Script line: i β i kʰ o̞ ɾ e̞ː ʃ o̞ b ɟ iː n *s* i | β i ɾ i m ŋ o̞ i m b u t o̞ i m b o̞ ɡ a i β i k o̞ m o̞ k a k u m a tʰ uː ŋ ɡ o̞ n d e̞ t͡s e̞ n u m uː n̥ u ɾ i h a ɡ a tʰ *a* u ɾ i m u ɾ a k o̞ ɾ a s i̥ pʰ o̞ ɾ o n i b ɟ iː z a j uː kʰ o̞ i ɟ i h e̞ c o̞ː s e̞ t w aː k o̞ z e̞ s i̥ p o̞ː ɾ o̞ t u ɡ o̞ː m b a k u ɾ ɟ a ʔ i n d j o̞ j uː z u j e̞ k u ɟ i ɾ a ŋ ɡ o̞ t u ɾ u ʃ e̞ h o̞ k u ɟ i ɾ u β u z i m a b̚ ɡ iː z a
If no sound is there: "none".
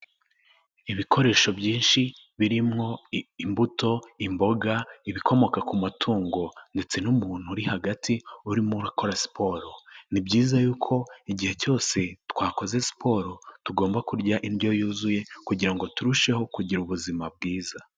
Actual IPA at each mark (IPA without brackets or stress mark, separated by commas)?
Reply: ʃ, i